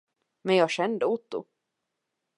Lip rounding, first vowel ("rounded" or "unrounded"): unrounded